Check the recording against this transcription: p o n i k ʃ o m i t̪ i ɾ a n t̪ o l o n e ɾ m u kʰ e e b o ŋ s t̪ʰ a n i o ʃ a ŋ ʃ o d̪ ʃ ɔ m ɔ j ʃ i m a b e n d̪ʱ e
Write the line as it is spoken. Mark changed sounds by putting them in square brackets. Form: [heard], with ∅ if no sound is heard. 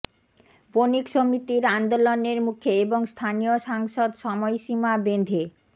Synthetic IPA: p o n i k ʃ o m i t̪ i ɾ a n [d̪] o l o n e ɾ m u kʰ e e b o ŋ s t̪ʰ a n i o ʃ a ŋ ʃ o d̪ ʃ ɔ m ɔ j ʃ i m a b e n d̪ʱ e